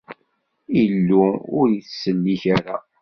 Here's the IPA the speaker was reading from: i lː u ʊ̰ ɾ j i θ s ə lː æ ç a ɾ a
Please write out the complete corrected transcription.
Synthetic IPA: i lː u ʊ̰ ɾ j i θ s ə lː i ç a ɾ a